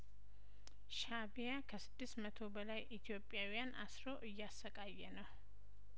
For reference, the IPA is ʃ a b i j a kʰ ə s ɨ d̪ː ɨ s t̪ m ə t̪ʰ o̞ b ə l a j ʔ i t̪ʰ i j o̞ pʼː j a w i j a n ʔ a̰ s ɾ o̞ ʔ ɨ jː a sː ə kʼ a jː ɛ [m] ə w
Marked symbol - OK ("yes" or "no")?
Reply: no